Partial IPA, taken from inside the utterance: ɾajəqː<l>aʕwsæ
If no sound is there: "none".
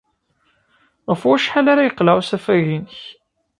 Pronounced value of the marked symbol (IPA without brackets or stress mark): l